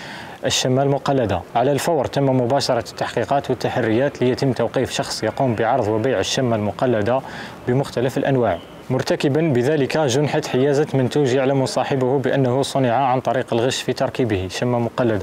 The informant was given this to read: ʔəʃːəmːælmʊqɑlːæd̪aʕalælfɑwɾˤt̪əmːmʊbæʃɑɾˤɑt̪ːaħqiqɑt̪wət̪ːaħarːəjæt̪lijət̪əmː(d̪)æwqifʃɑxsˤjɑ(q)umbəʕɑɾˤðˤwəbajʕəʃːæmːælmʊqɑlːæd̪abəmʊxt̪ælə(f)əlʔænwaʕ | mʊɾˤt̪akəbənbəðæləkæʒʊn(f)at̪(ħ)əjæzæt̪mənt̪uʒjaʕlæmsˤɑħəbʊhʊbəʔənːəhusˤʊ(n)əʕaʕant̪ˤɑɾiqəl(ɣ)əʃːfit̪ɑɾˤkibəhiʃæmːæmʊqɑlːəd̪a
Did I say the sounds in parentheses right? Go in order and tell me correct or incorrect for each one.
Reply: incorrect, correct, correct, incorrect, correct, correct, correct

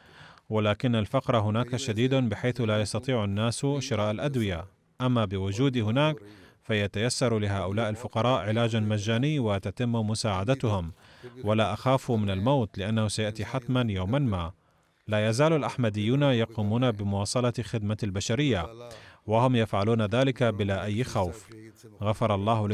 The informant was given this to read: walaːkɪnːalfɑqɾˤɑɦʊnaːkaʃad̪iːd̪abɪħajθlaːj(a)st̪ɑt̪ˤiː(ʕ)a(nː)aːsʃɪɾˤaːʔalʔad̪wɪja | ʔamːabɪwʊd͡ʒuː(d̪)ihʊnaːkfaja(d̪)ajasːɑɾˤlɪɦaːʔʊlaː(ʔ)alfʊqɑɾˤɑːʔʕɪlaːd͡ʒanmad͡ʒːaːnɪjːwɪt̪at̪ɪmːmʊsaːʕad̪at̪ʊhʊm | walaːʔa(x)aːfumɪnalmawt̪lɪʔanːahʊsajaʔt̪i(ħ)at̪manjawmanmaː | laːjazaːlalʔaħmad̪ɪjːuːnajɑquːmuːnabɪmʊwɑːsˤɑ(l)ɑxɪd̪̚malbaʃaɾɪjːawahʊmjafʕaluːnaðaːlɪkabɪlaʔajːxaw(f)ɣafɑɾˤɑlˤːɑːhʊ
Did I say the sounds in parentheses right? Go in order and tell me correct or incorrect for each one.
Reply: incorrect, correct, correct, correct, incorrect, correct, correct, correct, correct, correct

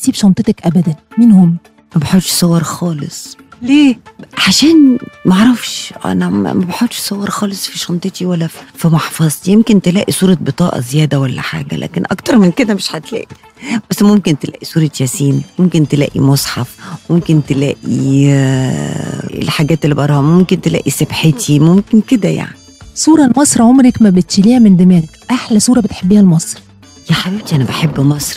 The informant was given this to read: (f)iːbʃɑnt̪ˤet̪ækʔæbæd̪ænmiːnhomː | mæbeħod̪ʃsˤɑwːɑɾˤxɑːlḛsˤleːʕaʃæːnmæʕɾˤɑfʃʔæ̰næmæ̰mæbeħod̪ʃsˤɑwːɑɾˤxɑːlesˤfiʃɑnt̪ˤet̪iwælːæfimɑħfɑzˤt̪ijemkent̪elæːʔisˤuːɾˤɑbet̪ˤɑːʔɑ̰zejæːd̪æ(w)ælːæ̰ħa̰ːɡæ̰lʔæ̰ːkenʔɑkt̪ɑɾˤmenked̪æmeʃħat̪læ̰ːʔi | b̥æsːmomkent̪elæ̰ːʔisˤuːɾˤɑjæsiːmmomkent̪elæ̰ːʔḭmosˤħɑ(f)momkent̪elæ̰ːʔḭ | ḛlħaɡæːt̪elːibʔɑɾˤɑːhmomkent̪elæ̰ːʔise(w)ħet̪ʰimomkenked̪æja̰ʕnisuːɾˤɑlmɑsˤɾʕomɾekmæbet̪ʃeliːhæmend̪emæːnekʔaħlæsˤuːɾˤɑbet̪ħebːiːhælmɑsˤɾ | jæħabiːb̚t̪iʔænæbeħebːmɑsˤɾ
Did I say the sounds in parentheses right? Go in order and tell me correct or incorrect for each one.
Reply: incorrect, correct, correct, incorrect

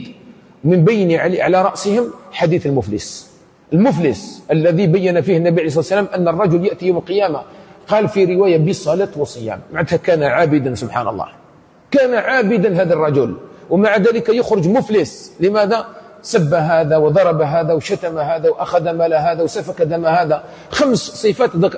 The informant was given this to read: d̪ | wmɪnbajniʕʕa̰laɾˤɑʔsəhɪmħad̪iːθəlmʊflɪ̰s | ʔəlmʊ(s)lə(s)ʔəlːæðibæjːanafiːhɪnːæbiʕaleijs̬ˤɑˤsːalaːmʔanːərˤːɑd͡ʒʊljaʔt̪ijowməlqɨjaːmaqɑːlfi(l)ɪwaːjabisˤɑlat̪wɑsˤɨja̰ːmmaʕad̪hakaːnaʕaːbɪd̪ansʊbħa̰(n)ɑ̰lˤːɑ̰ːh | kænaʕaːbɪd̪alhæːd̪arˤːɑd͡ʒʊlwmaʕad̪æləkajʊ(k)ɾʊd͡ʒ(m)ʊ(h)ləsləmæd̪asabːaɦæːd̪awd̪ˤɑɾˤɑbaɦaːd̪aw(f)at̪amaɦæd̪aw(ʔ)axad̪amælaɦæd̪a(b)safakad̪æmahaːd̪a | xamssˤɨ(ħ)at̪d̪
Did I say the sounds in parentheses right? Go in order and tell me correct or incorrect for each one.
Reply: incorrect, correct, incorrect, correct, incorrect, correct, incorrect, incorrect, correct, incorrect, incorrect

